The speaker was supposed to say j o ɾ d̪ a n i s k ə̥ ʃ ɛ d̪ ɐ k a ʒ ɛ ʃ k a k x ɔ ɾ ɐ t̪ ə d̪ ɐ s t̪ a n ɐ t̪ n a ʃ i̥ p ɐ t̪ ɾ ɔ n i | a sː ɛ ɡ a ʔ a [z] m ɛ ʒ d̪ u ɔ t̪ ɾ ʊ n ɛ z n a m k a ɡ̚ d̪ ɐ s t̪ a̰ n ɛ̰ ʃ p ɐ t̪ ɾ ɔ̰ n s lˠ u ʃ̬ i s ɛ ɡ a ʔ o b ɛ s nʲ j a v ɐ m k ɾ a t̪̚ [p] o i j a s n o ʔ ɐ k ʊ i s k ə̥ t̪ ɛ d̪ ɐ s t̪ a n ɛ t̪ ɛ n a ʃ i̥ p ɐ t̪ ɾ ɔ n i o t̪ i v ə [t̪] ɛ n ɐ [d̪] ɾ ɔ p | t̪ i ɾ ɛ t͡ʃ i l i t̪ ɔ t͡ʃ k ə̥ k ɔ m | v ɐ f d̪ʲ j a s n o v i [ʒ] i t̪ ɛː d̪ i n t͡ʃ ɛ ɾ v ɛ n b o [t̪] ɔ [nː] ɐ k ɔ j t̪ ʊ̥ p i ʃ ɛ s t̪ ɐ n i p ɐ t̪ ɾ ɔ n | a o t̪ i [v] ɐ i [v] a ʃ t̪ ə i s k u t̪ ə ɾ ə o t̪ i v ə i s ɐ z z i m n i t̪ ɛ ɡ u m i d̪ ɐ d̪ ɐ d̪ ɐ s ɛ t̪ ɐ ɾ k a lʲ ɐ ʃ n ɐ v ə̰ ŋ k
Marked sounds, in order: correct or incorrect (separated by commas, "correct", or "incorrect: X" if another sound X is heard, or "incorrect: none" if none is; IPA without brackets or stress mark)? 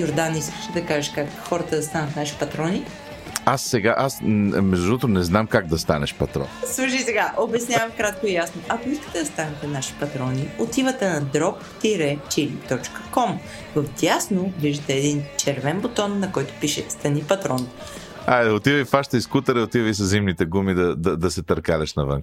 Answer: incorrect: s, incorrect: k, correct, correct, correct, correct, correct, correct, incorrect: f